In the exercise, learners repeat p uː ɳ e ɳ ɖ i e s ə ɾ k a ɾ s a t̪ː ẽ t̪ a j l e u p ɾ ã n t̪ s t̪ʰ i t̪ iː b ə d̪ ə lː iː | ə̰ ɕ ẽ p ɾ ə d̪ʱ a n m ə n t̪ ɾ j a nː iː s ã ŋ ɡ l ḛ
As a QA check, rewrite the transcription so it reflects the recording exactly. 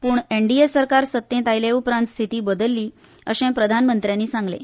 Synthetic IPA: p uː ɳ e ɳ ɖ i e s ə ɾ k a ɾ s ə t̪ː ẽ t̪ a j l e u p ɾ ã n t̪ s t̪ʰ i t̪ iː b ə d̪ ə lː iː | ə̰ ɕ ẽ p ɾ ə d̪ʱ a n m ə n t̪ ɾ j a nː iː s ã ŋ ɡ l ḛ